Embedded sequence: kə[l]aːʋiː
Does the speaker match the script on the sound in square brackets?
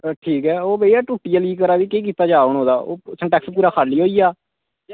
no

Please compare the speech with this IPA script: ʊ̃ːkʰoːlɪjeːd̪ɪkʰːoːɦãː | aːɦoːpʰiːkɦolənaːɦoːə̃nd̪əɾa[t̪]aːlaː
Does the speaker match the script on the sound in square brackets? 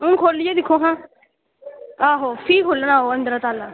yes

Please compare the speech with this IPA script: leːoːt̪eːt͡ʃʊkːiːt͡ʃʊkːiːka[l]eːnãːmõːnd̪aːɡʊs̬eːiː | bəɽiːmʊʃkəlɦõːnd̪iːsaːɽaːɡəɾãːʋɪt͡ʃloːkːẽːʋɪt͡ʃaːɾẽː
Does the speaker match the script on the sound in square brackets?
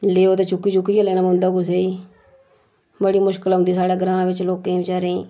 yes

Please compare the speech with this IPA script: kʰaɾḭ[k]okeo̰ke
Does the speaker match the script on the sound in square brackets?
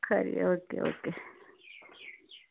no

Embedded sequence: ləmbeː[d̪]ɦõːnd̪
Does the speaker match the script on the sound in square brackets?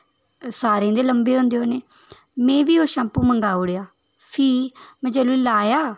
no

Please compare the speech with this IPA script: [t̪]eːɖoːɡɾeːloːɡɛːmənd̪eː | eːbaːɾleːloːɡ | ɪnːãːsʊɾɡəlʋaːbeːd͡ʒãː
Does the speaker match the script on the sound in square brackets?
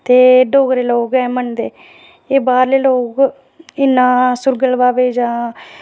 yes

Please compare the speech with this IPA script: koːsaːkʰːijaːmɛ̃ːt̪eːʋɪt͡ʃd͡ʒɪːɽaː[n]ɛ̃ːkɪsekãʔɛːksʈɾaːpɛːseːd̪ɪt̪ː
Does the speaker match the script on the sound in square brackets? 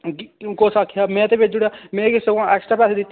no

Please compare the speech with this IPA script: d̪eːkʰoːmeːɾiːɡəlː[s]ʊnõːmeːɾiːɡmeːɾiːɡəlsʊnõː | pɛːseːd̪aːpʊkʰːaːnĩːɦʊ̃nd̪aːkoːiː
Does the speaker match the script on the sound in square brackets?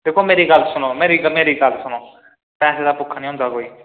yes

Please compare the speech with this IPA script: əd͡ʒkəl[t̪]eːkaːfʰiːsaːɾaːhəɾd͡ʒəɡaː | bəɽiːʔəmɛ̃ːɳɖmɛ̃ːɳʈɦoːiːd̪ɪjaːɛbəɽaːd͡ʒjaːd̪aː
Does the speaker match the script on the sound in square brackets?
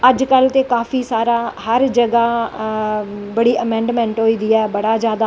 yes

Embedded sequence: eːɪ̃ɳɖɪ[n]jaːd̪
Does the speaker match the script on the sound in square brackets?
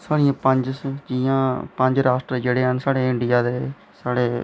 no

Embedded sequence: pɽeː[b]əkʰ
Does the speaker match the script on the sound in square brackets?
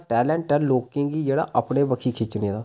yes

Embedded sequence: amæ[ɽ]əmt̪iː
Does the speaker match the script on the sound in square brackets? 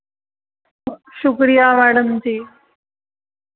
yes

